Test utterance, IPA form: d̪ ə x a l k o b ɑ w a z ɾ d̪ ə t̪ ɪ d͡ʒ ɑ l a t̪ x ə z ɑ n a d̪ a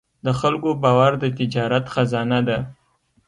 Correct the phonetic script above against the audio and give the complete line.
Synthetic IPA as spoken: d̪ ə x a l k o b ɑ w a ɾ d̪ ə t̪ ɪ d͡ʒ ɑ ɾ a t̪ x a z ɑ n a d̪ a